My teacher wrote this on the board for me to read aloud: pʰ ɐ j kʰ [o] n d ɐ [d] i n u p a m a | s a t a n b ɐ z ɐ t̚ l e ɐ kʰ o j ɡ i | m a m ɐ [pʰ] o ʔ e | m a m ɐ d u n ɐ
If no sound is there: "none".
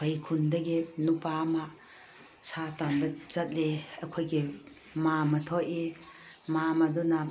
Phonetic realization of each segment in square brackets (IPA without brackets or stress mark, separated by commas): u, ɡ, tʰ